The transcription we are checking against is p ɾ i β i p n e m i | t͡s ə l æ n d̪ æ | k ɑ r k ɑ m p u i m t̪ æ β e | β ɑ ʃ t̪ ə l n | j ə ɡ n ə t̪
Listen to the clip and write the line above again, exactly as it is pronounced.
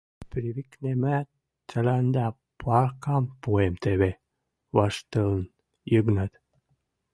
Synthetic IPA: p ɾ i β i k n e m æ | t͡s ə l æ n d̪ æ | p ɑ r k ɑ m p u e m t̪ e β e | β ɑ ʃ t̪ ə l n | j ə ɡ n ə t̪